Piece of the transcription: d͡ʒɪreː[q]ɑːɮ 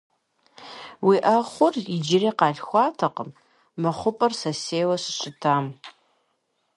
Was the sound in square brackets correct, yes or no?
yes